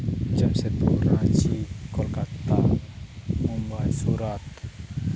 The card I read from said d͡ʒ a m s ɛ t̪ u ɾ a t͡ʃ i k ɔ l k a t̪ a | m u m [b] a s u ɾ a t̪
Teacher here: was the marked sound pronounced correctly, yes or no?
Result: yes